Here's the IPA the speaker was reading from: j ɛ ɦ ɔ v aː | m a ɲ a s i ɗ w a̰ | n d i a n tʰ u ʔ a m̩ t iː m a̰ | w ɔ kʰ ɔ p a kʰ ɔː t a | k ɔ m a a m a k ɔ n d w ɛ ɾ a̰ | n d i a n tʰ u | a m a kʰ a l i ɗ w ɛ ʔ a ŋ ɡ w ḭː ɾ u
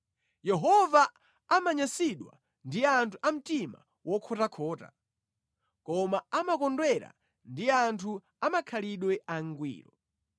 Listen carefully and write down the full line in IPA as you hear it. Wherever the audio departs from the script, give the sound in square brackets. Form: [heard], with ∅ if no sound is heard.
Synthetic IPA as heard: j ɛ ɦ ɔ v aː | m a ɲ a s i ɗ w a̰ | n d i a n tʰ u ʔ a m̩ t [i] m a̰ | w ɔ kʰ ɔ [t] a kʰ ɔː t a | k ɔ m a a m a k ɔ n d w ɛ ɾ a̰ | n d i a n tʰ u | a m a kʰ a l i ɗ w ɛ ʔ a ŋ ɡ w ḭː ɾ [ɔ]